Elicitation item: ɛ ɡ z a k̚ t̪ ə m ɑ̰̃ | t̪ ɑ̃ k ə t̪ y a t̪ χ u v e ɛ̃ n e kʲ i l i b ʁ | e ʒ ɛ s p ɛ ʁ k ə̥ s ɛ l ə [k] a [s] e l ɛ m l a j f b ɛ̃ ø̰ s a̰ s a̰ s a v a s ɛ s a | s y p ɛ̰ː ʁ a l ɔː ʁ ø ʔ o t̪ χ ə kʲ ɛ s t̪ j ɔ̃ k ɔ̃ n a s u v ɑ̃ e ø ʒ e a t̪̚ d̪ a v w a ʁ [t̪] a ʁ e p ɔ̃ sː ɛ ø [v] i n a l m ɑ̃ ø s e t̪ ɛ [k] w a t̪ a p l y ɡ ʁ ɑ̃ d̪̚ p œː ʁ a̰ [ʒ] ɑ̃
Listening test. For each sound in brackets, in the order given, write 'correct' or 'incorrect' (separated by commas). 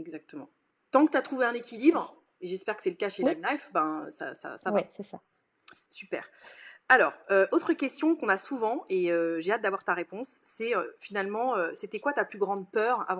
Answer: correct, incorrect, correct, incorrect, correct, incorrect